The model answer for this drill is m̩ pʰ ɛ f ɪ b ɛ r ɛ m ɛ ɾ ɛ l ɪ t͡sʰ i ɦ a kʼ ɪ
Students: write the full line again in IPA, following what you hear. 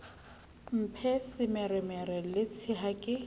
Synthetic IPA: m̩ pʰ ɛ s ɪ m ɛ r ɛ m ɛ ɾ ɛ l ɪ t͡sʰ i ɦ a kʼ ɪ